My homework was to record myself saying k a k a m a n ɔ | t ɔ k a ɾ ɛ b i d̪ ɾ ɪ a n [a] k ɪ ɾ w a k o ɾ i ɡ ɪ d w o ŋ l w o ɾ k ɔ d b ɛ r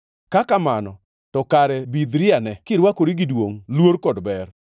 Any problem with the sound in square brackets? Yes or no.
yes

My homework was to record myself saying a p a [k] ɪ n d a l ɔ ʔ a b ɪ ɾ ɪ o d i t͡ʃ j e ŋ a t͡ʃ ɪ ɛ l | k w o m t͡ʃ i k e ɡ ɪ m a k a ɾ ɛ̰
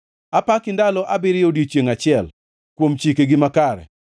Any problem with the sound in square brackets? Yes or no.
no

